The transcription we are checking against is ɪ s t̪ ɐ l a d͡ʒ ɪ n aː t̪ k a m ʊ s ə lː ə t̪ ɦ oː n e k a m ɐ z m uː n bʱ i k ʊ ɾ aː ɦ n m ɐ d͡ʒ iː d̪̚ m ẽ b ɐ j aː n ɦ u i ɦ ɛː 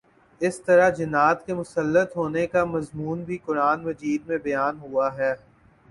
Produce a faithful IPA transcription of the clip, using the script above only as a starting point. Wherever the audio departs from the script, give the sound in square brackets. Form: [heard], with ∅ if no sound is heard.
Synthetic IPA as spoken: ɪ s t̪ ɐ [ɾ] a d͡ʒ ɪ n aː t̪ k [e] m ʊ s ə lː ə t̪ ɦ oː n e k a m ɐ z m uː n bʱ i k ʊ ɾ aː [∅] n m ɐ d͡ʒ iː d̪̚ m ẽ b ɐ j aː n ɦ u [a] ɦ ɛː

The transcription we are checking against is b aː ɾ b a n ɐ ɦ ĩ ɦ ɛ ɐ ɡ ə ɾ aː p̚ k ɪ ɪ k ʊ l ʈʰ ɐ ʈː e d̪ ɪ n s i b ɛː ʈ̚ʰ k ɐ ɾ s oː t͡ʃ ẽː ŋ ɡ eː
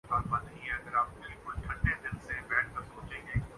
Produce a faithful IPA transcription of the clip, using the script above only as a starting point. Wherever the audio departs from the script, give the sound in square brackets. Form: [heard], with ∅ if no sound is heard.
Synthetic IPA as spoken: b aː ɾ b a n ɐ ɦ ĩ ɦ ɛ ɐ ɡ ə ɾ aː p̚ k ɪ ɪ k ʊ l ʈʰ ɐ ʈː e d̪ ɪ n s [e] b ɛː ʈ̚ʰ k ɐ ɾ s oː t͡ʃ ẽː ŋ ɡ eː

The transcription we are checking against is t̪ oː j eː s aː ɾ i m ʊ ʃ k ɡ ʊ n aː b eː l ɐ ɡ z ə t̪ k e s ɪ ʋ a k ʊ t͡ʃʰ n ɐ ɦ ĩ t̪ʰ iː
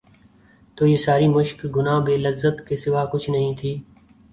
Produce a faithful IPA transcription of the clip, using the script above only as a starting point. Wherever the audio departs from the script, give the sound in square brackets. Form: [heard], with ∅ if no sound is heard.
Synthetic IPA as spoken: t̪ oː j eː s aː ɾ i m ʊ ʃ k ɡ ʊ n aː b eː l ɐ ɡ z ə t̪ k e s ɪ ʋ a k ʊ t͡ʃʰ n ɐ ɦ ĩ t̪ʰ iː

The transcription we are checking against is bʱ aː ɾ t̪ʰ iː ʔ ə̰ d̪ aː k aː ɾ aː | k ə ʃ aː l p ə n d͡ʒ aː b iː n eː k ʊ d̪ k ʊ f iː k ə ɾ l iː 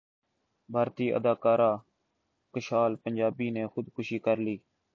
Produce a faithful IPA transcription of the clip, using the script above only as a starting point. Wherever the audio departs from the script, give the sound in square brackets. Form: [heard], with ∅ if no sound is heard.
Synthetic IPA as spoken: bʱ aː ɾ [t̪] iː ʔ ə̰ d̪ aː k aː ɾ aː | k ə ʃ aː l p ə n d͡ʒ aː b iː n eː [x] ʊ d̪ k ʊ [ʃ] iː k ə ɾ l iː

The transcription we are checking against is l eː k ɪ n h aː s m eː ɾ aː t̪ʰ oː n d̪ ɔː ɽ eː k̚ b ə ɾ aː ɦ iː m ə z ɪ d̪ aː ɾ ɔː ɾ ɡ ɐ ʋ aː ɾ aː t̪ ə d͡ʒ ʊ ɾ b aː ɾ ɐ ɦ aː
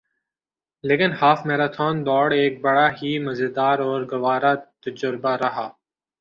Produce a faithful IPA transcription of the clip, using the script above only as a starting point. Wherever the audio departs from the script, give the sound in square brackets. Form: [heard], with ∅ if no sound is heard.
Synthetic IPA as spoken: l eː k ɪ n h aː [f] m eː ɾ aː t̪ʰ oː n d̪ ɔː ɽ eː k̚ b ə [ɽ] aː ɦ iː m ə z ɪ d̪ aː ɾ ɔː ɾ ɡ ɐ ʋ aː ɾ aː t̪ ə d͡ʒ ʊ ɾ b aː ɾ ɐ ɦ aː

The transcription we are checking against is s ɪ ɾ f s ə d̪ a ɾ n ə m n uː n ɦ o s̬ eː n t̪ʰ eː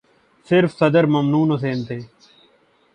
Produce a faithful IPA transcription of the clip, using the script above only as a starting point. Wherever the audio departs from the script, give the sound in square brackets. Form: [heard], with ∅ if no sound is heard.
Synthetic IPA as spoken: s ɪ ɾ f s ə d̪ [ə] ɾ [m] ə m n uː n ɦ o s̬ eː n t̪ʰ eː

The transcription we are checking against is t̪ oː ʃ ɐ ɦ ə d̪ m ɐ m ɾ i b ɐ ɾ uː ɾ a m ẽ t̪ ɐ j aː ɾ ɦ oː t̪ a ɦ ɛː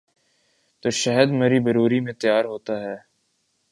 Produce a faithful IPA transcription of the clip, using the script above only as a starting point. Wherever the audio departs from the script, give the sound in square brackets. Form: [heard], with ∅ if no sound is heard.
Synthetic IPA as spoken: t̪ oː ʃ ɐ ɦ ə d̪ m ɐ [∅] ɾ i b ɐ ɾ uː ɾ [i] m ẽ t̪ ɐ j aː ɾ ɦ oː t̪ a ɦ ɛː

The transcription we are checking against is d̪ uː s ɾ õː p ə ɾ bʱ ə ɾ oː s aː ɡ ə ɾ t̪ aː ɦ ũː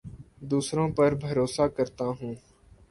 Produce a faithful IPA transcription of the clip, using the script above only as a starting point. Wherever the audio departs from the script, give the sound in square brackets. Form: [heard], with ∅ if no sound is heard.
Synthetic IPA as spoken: d̪ uː s ɾ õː p ə ɾ bʱ ə ɾ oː s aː [k] ə ɾ t̪ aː ɦ ũː

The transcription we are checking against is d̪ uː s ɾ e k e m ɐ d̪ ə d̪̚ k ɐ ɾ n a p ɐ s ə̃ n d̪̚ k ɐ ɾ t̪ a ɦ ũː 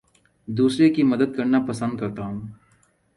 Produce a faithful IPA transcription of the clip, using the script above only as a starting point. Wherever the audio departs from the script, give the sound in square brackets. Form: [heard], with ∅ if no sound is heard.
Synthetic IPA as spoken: d̪ uː s ɾ e k [i] m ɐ d̪ ə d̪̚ k ɐ ɾ n a p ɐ s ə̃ n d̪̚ k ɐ ɾ t̪ a ɦ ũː

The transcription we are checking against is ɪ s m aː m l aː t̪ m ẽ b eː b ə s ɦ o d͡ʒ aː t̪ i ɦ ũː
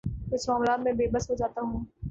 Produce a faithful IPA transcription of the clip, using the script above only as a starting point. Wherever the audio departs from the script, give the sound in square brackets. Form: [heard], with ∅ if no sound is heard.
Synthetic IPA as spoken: ɪ s m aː m l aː t̪ m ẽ b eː b ə s ɦ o d͡ʒ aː t̪ [a] ɦ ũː

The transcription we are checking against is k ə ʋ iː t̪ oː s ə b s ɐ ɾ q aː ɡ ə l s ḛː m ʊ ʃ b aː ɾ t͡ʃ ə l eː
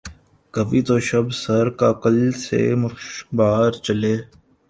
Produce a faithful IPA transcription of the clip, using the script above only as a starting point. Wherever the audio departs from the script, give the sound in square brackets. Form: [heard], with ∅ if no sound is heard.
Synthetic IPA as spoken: k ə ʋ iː t̪ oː [ʃ] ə b s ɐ ɾ [k] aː [k] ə l s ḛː m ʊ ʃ b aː ɾ t͡ʃ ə l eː

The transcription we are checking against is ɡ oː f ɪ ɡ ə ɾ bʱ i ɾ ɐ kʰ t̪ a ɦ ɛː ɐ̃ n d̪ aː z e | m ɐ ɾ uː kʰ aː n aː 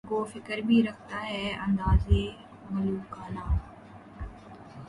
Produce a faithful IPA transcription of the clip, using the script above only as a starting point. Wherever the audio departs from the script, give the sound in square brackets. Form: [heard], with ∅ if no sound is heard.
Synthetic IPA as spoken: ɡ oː f ɪ [k] ə ɾ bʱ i ɾ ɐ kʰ t̪ a ɦ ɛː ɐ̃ n d̪ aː z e | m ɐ [l] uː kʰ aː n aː

